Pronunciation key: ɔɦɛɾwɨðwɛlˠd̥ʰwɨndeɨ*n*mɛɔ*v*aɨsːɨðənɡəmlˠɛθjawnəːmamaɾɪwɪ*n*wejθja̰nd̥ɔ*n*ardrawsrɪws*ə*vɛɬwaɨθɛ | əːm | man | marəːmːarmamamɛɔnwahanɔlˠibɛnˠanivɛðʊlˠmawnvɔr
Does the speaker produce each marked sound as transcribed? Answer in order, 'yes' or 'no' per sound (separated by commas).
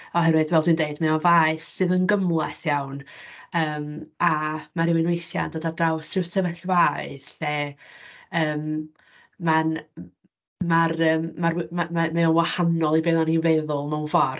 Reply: no, yes, yes, no, yes